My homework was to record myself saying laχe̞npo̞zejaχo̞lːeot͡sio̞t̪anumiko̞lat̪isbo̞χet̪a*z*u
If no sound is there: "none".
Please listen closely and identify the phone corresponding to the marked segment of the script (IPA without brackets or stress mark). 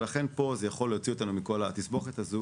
z